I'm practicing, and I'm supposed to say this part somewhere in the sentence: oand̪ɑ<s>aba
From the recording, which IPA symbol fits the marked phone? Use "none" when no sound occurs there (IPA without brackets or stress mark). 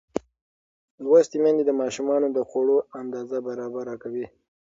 z